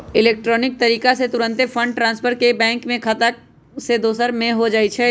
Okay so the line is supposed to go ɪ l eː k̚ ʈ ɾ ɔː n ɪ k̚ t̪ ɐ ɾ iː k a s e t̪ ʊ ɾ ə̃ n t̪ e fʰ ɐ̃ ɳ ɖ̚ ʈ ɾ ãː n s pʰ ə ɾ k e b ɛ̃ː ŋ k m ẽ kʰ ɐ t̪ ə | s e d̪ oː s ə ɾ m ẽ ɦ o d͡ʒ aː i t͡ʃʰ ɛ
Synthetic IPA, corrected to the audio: ɪ l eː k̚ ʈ ɾ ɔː n ɪ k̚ t̪ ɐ ɾ iː k a s e t̪ ʊ ɾ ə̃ n t̪ e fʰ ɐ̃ ɳ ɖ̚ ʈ ɾ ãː n s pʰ ə ɾ k e b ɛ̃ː ŋ k m ẽ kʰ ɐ t̪ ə | s e d̪ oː s ə ɾ m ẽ ɦ o d͡ʒ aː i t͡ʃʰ ɛ

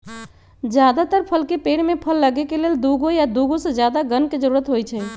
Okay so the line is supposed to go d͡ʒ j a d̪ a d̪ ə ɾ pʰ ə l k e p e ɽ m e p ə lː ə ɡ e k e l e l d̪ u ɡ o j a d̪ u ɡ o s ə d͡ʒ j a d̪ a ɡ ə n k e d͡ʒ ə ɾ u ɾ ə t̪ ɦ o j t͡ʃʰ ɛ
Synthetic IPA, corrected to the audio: d͡ʒ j a d̪ a t̪ ə ɾ pʰ ə l k e p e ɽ m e pʰ ə lː ə ɡ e k e l e l d̪ u ɡ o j a d̪ u ɡ o s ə d͡ʒ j a d̪ a ɡ ə n k e d͡ʒ ə ɾ u ɾ ə t̪ ɦ o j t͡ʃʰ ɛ

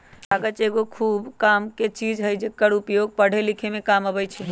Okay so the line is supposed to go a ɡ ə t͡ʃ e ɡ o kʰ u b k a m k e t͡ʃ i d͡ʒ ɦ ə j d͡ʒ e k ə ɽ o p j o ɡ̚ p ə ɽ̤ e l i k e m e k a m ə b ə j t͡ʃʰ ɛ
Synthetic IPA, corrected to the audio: a ɡ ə t͡ʃ e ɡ o kʰ u b k a m k e t͡ʃ i d͡ʒ ɦ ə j d͡ʒ e k ə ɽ u p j o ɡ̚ p ə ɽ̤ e l i kʰ e m e k a m ə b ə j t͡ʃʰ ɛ

